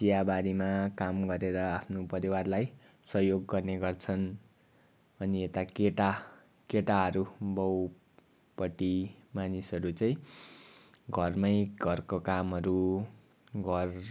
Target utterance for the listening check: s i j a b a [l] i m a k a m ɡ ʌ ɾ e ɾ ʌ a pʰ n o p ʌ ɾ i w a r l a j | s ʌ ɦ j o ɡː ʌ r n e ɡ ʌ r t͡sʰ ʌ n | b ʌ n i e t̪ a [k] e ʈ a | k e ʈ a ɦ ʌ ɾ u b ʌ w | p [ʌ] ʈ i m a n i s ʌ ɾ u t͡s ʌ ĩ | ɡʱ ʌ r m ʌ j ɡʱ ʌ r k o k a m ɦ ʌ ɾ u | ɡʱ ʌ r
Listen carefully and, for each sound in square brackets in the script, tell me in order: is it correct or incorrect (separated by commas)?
incorrect, correct, correct